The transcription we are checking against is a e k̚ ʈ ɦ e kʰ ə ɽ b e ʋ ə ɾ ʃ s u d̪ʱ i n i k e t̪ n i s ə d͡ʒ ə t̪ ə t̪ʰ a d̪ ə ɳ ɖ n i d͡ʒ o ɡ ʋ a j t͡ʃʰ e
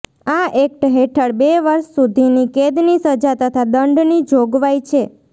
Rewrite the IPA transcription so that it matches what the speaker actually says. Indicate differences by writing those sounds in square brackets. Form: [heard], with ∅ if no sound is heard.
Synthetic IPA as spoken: a e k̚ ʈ ɦ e [ʈʰ] ə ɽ b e ʋ ə ɾ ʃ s u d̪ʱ i n i k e [d̪] n i s ə d͡ʒ [a] t̪ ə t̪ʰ a d̪ ə ɳ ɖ n i d͡ʒ o ɡ ʋ a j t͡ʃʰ e